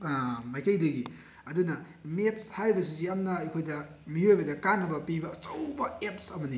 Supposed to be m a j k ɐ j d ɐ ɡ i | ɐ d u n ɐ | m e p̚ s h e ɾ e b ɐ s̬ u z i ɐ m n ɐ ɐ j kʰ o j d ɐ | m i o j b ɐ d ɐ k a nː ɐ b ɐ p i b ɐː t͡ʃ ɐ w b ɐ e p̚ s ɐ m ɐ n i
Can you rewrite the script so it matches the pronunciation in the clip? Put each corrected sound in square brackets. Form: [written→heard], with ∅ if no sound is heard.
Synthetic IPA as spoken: m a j k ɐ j d ɐ ɡ i | ɐ d u n ɐ | m e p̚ s h [e→a] ɾ [e→i] b ɐ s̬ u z i ɐ m n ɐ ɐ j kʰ o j d ɐ | m i o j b ɐ d ɐ k a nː ɐ b ɐ p i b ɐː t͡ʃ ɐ w b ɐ e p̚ s ɐ m ɐ n i

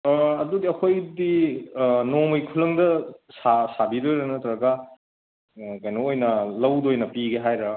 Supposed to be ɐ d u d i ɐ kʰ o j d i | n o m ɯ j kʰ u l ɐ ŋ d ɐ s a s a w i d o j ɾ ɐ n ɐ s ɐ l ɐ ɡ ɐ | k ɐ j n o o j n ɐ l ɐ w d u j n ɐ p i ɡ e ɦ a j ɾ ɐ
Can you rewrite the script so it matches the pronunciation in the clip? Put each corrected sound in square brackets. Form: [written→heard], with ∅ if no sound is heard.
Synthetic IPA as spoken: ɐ d u d i ɐ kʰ o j d i | n o m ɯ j kʰ u l ɐ ŋ d ɐ s a s a [w→b] i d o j ɾ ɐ n ɐ [s→t] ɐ [l→ɾ] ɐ ɡ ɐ | k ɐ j n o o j n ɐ l ɐ w d [u→o] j n ɐ p i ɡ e ɦ a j ɾ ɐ

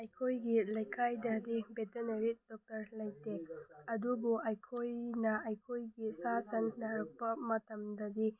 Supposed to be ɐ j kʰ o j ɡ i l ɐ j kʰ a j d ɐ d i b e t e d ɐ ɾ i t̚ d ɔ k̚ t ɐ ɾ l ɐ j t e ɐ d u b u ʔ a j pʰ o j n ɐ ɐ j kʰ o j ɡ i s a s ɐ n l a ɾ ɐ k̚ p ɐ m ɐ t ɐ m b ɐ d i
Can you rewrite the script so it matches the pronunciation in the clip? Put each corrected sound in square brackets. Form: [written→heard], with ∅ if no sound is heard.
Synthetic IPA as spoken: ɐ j kʰ o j ɡ i l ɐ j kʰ a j d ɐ d i b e t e [d→n] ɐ ɾ i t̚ d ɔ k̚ t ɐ ɾ l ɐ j t e ɐ d u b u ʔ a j [pʰ→kʰ] o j n ɐ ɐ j kʰ o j ɡ i s a s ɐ n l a ɾ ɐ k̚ p ɐ m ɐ t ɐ m [b→d] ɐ d i

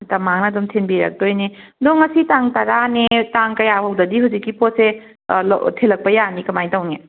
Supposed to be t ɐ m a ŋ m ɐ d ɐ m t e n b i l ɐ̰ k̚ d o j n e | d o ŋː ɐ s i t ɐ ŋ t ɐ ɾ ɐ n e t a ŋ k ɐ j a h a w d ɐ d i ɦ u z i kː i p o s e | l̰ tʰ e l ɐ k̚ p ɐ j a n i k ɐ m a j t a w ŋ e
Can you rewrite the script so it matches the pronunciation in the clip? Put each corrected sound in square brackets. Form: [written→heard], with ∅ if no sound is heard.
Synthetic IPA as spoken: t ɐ m a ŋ [m→n] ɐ d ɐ m [t→tʰ] e n b i [l→ɾ] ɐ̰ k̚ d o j n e | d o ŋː ɐ s i t [ɐ→a] ŋ t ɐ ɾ [ɐ→a] n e t a ŋ k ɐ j a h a w d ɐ d i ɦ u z i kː i p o s e | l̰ tʰ e l ɐ k̚ p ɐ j a n i k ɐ m a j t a w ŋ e

